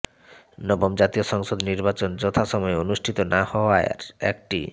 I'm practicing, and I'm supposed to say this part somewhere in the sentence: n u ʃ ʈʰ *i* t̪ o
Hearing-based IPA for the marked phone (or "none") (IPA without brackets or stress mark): i